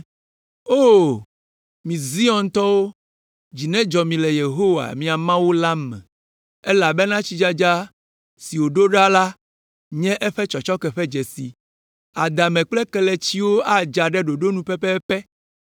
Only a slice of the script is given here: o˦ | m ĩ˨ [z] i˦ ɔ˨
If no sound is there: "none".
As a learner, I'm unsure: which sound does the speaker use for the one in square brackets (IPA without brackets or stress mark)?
z